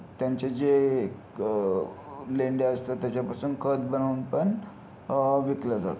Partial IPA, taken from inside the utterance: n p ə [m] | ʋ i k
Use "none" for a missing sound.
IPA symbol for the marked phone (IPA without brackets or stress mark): ɳ